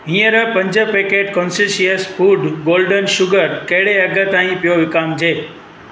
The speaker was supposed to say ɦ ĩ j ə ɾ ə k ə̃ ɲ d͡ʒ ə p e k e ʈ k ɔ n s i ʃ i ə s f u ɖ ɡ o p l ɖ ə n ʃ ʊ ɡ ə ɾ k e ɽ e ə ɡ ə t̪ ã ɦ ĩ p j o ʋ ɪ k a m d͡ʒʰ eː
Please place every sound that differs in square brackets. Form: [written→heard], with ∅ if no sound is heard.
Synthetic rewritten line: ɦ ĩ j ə ɾ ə [k→p] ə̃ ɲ d͡ʒ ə p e k e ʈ k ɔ n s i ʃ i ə s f u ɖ ɡ o [p→∅] l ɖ ə n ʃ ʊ ɡ ə ɾ k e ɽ e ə ɡ ə t̪ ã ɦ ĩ p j o ʋ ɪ k a m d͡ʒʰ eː